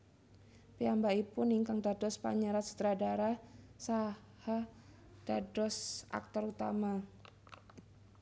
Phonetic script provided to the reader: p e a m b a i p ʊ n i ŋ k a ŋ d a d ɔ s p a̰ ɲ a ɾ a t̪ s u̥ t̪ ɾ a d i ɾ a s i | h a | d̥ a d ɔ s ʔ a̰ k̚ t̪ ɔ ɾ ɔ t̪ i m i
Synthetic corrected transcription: p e a m b a i p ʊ n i ŋ k a ŋ d a d ɔ s p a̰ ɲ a ɾ a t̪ s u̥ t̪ ɾ a d a ɾ a s a | h a | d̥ a d ɔ s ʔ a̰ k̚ t̪ ɔ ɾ u t̪ a m a